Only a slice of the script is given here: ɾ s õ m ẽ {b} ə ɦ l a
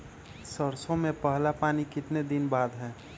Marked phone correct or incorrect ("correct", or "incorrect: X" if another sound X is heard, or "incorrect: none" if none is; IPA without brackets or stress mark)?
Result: incorrect: p